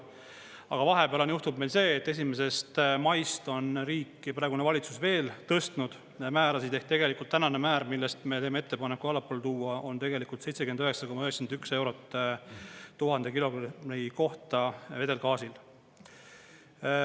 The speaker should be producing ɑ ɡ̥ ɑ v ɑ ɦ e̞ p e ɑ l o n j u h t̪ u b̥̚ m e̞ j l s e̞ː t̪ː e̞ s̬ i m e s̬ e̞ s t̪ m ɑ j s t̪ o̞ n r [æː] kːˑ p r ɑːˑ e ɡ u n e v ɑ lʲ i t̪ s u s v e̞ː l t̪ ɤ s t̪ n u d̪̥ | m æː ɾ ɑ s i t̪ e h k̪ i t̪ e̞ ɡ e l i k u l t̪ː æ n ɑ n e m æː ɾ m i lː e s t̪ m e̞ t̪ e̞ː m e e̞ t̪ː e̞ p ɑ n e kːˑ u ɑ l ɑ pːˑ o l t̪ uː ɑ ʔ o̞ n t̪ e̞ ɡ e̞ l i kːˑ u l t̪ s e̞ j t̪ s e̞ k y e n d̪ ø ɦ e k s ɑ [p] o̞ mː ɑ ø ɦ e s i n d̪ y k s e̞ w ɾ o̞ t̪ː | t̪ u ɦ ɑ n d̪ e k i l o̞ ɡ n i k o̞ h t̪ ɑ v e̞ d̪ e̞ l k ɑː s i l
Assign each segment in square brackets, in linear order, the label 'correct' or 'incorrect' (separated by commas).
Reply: incorrect, incorrect